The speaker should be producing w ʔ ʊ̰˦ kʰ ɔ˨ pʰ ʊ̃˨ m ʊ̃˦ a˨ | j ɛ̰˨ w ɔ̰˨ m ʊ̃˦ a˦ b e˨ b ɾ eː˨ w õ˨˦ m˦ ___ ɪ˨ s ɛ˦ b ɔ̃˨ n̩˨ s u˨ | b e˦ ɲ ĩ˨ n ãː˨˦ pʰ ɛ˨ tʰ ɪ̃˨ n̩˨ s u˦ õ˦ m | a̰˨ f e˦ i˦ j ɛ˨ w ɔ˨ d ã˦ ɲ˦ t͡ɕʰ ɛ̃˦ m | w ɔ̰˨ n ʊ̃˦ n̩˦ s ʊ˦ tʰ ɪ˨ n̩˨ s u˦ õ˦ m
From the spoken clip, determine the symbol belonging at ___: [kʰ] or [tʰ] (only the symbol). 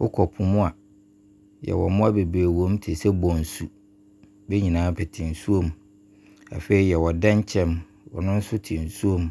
tʰ